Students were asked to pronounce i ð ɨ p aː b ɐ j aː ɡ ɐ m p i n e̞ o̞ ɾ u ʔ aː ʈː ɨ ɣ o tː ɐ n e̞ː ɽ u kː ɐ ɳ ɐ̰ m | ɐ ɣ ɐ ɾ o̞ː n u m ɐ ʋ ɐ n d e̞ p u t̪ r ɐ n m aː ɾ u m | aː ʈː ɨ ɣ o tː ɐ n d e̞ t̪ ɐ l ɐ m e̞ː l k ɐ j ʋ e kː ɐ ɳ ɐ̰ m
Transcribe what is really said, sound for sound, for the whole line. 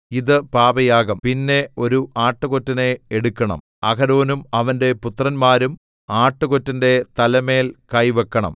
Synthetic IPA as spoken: i ð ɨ p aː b ɐ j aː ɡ ɐ m p i nː e̞ o̞ ɾ u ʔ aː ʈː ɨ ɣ o tː ɐ n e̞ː ɽ u kː ɐ ɳ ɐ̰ m | ɐ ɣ ɐ ɾ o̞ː n u m ɐ ʋ ɐ n d e̞ p u t̪ r ɐ n m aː ɾ u m | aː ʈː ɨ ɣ o tː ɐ n d e̞ t̪ ɐ l ɐ m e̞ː l k ɐ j ʋ e kː ɐ ɳ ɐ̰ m

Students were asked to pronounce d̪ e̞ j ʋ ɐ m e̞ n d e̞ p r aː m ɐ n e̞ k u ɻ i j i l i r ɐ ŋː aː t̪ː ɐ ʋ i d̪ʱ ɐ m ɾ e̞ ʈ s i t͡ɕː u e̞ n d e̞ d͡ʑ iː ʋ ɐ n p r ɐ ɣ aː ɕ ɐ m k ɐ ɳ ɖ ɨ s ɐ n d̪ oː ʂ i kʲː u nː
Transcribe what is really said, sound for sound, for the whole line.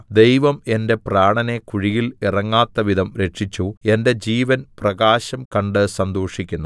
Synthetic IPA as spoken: d̪ e̞ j ʋ ɐ m e̞ n d e̞ p r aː ɳ ɐ n e̞ k u ɻ i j i l i r ɐ ŋː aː t̪ː ɐ ʋ i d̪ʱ ɐ m ɾ e̞ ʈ ʂ i t͡ɕː u e̞ n d e̞ d͡ʑ iː ʋ ɐ n p r ɐ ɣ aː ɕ ɐ m k ɐ ɳ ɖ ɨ s ɐ n d̪ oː ʂ i kʲː u nː

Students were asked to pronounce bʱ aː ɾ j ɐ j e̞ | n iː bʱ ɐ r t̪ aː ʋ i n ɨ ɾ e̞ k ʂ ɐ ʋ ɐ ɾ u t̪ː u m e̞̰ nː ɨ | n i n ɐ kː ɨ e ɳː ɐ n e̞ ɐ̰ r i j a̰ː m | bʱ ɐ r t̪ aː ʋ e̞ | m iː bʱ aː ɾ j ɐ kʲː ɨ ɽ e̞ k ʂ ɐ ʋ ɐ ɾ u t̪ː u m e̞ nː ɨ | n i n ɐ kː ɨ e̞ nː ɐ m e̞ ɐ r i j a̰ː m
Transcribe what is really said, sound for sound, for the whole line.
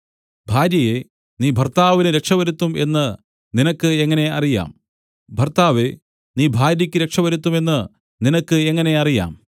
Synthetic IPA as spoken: bʱ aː ɾ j ɐ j e̞ | n iː bʱ ɐ r t̪ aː ʋ i n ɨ ɾ e̞ k ʂ ɐ ʋ ɐ ɾ u t̪ː u m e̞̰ nː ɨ | n i n ɐ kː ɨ e ŋː ɐ n e̞ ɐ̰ r i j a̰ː m | bʱ ɐ r t̪ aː ʋ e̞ | n iː bʱ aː ɾ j ɐ kʲː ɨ ɾ e̞ k ʂ ɐ ʋ ɐ ɾ u t̪ː u m e̞ nː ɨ | n i n ɐ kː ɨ e̞ ŋː ɐ n e̞ ɐ r i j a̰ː m

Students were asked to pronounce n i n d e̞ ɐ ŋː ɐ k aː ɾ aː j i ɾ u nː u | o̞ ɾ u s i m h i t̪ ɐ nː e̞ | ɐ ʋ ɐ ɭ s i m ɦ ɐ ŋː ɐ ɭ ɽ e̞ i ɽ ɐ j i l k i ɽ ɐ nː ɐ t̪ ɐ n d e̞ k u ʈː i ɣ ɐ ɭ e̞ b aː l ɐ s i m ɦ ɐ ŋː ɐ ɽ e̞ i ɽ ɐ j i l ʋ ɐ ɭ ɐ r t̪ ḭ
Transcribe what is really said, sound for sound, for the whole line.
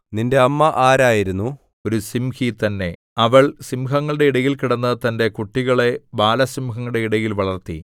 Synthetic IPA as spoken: n i n d e̞ ɐ mː ɐ ʔ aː ɾ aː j i ɾ u nː u | o̞ ɾ u s i m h i t̪ ɐ nː e̞ | ɐ ʋ ɐ ɭ s i m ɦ ɐ ŋː ɐ ɭ ɽ e̞ i ɽ ɐ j i l k i ɽ ɐ nː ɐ t̪ ɐ n d e̞ k u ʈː i ɣ ɐ ɭ e̞ b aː l ɐ s i m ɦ ɐ ŋː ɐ ɽ e̞ i ɽ ɐ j i l ʋ ɐ ɭ ɐ r t̪ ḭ

